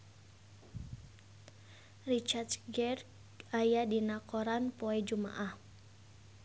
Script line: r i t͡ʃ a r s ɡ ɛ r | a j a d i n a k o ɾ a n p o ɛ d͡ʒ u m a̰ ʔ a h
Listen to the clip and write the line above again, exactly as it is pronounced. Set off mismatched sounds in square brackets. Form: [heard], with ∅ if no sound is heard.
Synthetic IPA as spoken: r i t͡ʃ a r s ɡ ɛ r | a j a d i n a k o ɾ a n p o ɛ d͡ʒ u m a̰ ʔ a h